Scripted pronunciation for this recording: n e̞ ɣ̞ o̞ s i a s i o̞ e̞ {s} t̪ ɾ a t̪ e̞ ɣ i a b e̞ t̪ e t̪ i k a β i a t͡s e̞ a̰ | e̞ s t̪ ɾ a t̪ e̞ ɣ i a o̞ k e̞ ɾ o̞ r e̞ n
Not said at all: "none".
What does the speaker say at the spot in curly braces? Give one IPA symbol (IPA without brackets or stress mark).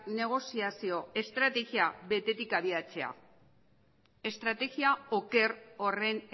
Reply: s